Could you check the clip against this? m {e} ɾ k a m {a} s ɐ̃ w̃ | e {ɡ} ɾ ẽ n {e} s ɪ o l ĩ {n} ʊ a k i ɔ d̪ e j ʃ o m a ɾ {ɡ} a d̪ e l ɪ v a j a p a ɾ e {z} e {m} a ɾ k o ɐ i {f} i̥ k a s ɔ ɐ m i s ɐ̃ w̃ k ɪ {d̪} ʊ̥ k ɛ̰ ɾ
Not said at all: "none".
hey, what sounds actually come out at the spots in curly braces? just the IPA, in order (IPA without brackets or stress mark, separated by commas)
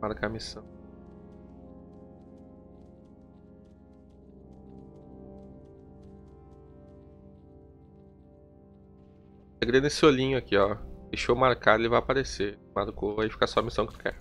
a, i, ɡ, e, ɲ, k, s, m, f, t̪